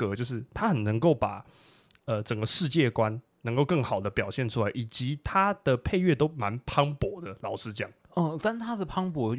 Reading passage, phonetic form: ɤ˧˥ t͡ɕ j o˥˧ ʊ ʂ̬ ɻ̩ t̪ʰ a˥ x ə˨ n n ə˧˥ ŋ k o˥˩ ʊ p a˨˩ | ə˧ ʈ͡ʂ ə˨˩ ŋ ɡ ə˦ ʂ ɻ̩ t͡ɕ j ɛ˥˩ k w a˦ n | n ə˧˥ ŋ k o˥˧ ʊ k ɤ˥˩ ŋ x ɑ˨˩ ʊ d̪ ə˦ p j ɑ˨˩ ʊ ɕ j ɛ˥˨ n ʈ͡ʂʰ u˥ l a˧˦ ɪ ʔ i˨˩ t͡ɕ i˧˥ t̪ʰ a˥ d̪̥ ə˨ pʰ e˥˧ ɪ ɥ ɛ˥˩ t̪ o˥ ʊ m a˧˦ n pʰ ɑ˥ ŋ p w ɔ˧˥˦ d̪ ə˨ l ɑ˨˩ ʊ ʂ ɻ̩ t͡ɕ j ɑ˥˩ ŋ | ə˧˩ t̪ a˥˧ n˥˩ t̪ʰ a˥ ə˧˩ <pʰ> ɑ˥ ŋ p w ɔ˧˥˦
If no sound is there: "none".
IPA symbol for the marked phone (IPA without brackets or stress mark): pʰ